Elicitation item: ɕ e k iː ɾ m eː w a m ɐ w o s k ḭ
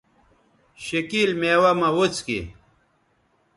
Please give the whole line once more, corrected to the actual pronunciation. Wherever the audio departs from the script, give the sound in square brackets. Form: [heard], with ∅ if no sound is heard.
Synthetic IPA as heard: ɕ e k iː [l] m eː w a m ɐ w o [t͡s] k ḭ